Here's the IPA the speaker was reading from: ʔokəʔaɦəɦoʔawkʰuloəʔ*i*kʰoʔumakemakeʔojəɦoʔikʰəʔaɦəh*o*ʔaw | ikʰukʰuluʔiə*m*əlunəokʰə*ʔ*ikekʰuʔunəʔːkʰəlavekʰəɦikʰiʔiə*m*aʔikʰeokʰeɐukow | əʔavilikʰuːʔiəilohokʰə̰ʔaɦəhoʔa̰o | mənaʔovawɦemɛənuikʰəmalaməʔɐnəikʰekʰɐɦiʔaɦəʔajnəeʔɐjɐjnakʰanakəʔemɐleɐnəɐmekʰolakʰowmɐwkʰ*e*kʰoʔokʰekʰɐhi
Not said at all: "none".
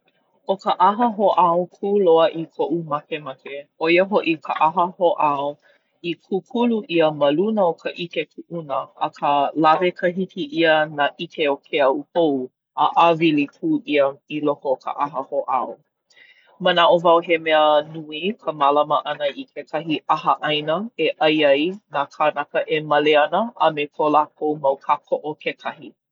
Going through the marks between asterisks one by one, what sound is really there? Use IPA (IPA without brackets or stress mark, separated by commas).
i, o, m, ʔ, n, a